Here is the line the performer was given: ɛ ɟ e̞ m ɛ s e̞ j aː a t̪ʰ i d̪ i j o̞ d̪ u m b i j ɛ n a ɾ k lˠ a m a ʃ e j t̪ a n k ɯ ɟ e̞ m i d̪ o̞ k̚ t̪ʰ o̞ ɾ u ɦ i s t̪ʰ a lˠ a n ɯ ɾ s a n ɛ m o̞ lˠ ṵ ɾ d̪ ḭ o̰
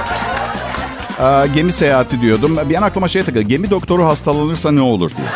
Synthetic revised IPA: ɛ ɟ e̞ m i s e̞ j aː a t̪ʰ i d̪ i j o̞ d̪ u m b i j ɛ n a k lˠ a m a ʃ e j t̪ a k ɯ ɟ e̞ m i d̪ o̞ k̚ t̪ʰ o̞ ɾ u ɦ a s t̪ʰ a lˠ a n ɯ ɾ s a n ɛ o̞ lˠ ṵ ɾ d̪ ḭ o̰